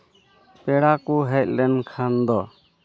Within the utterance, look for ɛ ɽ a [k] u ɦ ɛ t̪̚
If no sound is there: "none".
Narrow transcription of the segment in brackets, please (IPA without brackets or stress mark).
k